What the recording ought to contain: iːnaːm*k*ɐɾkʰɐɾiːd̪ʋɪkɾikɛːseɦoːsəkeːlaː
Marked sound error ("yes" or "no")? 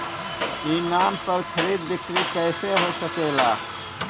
yes